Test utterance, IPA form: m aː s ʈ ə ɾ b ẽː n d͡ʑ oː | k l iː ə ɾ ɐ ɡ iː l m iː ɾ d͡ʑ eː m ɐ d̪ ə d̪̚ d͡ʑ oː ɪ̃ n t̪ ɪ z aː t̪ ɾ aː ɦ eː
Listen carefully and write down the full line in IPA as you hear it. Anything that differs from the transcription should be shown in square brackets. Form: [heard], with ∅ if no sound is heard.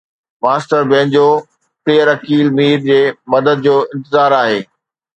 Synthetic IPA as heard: m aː s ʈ ə ɾ b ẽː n d͡ʑ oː | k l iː ə ɾ ɐ [k] iː l m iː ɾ d͡ʑ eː m ɐ d̪ ə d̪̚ d͡ʑ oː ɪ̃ n t̪ ɪ z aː [∅] ɾ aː ɦ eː